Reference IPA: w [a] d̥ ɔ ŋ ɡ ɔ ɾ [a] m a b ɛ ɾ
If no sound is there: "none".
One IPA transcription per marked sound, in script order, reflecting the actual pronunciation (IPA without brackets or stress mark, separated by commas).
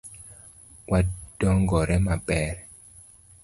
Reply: a, ɛ